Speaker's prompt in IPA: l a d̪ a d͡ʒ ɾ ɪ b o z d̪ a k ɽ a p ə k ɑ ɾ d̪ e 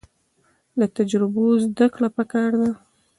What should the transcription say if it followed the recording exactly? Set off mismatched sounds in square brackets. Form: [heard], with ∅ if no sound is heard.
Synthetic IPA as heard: l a [t̪] a d͡ʒ ɾ ɪ b o z d̪ a k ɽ a p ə k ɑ ɾ d̪ [a]